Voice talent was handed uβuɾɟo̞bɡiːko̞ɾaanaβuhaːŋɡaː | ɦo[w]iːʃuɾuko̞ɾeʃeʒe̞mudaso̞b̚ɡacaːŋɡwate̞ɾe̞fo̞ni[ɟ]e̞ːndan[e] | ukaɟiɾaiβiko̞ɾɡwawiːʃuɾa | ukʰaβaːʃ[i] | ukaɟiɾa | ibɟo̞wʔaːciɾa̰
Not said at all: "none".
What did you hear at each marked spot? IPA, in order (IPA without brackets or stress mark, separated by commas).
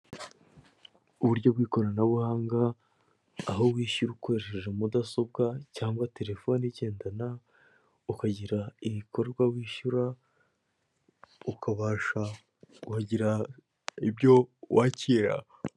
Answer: w, ɟ, a, a